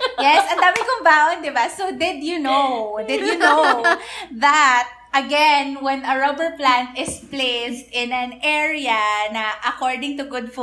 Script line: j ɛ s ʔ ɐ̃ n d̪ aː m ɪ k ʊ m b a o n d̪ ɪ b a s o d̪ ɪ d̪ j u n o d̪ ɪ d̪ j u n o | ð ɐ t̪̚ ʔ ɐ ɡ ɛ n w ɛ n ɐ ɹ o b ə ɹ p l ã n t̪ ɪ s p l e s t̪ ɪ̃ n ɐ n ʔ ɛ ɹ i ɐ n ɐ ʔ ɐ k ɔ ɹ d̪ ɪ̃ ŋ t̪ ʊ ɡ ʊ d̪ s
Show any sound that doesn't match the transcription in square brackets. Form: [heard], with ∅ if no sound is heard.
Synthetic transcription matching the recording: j ɛ s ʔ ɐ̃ n d̪ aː m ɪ k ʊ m b a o n d̪ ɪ b a s o d̪ ɪ d̪ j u n o d̪ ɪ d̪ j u n o | ð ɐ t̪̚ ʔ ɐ ɡ ɛ n w ɛ n ɐ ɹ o b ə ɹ p l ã n t̪ ɪ s p l e s t̪ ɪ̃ n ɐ n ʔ ɛ ɹ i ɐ n ɐ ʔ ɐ k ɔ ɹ d̪ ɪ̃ ŋ t̪ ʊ ɡ ʊ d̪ [f]